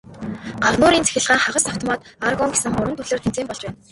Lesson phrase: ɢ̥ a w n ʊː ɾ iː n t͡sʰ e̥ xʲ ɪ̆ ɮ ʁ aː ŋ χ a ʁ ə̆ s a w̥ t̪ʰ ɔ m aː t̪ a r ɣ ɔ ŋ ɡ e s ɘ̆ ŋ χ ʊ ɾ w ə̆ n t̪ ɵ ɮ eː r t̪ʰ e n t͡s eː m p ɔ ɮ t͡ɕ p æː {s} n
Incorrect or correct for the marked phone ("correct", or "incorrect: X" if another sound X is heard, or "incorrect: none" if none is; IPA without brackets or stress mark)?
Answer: incorrect: none